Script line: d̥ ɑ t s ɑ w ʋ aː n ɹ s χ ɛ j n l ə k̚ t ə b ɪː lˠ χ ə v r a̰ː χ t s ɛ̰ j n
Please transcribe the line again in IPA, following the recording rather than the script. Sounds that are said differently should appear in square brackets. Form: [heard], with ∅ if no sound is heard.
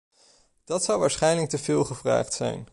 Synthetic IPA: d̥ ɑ t s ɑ w ʋ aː [∅] ɹ s χ ɛ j n l ə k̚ t ə [v] ɪː lˠ χ ə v r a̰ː χ t s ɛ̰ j n

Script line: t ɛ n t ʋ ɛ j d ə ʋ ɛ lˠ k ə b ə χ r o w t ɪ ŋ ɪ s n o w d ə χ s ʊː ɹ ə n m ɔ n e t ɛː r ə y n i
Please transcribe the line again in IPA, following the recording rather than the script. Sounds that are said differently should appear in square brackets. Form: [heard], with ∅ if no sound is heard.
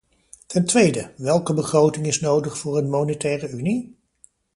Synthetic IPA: t ɛ n t ʋ [e] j d ə ʋ ɛ lˠ k ə b ə χ r o w t ɪ ŋ ɪ s n o w d ə χ [f] ʊː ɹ ə n m [o] n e t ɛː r ə y n i

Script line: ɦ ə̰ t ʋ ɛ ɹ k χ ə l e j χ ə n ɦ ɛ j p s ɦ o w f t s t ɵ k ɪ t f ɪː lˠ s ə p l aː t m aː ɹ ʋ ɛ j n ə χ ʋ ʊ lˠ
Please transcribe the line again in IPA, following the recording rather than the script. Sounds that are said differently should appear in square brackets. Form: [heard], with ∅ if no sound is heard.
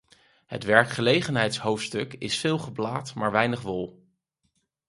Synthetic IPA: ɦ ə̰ t ʋ ɛ ɹ k χ ə l e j χ ə n ɦ ɛ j [t] s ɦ o w f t s t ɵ k ɪ [s] f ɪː lˠ [χ] ə [b] l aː t m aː ɹ ʋ ɛ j n ə χ ʋ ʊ lˠ

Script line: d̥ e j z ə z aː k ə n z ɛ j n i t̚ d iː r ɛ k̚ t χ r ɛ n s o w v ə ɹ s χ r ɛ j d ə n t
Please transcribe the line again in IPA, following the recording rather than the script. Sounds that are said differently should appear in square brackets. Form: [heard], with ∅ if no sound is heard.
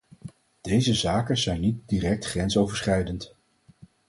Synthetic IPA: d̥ e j z ə z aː k ə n z ɛ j n i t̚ d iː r ɛ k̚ t χ r ɛ n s o w v ə ɹ s χ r ɛ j d ə n t

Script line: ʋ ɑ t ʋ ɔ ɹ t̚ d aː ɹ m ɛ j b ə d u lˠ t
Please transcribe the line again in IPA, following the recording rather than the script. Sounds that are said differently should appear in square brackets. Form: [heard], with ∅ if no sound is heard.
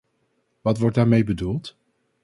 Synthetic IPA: ʋ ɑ t ʋ ɔ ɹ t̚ d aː ɹ m [e] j b ə d u lˠ t

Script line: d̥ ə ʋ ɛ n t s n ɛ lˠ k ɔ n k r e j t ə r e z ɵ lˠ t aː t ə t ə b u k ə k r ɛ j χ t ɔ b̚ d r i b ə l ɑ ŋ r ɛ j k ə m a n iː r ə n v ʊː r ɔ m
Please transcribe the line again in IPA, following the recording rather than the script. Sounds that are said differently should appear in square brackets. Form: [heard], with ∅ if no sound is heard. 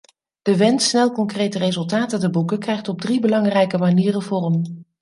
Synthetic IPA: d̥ ə ʋ ɛ n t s n ɛ lˠ k ɔ [ŋ] k r e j t ə r e z ɵ lˠ t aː t ə t ə b u k ə k r ɛ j χ t ɔ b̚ d r i b ə l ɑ ŋ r ɛ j k ə m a n iː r ə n v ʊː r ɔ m

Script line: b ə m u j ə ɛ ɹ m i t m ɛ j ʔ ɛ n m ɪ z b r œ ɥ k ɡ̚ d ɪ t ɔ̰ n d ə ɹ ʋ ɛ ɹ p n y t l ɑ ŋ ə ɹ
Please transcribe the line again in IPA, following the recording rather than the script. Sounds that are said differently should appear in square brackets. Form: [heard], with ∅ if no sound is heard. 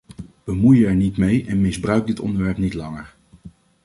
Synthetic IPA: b ə m u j ə ɛ ɹ [n] i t m [e] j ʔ ɛ n m ɪ z b r œ ɥ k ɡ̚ d ɪ t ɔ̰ n d ə ɹ ʋ ɛ ɹ p n [i] t l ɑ ŋ ə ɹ

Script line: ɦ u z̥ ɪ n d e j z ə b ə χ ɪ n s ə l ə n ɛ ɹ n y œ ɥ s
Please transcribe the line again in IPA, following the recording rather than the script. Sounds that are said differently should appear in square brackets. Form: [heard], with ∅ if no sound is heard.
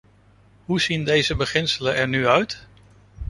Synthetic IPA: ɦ u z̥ [i] n d e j z ə b ə χ ɪ n s ə l ə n ɛ ɹ n y œ ɥ [t]

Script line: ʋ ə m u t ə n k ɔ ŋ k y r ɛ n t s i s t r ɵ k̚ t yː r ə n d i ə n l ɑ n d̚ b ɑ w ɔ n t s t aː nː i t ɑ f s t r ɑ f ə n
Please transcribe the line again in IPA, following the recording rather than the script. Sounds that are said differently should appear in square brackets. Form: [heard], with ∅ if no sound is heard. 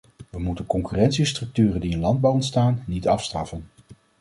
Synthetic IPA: ʋ ə m u t ə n k ɔ ŋ k y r ɛ n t s i s t r ɵ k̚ t yː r ə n d i ə n l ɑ n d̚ b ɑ w ɔ n t s t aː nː i t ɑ f s t r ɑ f ə n

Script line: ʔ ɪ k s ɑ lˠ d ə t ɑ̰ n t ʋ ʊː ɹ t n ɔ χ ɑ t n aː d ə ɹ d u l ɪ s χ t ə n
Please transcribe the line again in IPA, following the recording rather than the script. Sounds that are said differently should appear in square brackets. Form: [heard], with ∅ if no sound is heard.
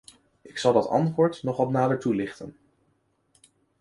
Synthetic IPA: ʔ ɪ k s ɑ lˠ d [ɑ] t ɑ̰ n t ʋ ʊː ɹ t n ɔ χ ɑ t n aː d ə ɹ [t] u l ɪ [∅] χ t ə n

